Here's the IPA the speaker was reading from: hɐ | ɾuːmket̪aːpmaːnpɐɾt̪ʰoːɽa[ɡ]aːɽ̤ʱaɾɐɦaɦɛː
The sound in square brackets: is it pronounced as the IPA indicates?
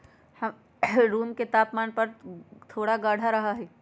yes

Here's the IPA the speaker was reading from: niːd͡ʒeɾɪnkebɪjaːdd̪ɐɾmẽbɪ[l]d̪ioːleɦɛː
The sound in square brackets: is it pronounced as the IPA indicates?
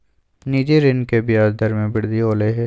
no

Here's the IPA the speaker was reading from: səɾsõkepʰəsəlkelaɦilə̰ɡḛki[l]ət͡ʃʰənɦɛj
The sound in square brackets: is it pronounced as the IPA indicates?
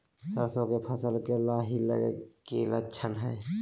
yes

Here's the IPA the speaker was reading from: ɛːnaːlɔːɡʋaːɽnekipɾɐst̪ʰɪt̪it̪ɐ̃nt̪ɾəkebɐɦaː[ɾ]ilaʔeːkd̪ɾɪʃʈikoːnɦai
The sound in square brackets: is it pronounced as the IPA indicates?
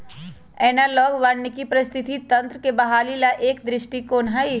no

